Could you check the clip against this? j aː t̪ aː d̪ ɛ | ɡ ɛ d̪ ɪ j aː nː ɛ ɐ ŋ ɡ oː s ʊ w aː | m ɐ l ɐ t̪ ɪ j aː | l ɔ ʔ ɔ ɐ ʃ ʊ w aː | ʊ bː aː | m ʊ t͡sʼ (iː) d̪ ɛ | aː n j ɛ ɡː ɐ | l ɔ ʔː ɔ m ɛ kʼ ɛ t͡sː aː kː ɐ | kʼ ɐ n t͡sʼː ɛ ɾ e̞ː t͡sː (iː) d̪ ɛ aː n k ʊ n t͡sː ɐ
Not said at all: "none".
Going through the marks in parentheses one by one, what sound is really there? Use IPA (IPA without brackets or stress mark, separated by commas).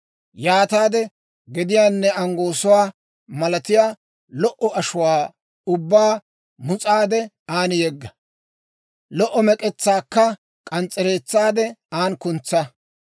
aː, aː